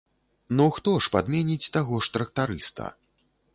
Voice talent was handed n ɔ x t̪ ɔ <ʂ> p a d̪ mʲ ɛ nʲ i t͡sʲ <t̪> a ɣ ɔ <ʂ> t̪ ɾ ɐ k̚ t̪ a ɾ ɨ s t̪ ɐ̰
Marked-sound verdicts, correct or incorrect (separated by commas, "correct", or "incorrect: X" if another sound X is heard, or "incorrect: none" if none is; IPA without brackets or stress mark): correct, correct, correct